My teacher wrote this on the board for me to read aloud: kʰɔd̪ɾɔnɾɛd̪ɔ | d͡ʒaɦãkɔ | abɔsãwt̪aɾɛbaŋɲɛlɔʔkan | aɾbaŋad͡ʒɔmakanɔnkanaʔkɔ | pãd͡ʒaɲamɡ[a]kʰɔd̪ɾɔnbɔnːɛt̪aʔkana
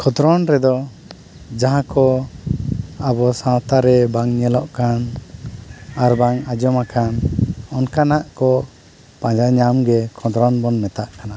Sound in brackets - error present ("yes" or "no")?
yes